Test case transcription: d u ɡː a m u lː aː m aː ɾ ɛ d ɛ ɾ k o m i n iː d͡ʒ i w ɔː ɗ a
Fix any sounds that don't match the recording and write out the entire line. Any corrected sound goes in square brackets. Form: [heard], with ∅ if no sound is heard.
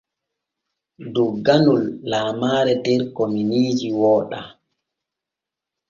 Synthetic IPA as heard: d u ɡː a [n] u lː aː m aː ɾ ɛ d ɛ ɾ k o m i n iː d͡ʒ i w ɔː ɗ a